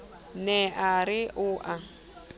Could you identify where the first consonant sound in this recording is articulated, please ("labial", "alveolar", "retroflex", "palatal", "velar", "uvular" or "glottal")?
alveolar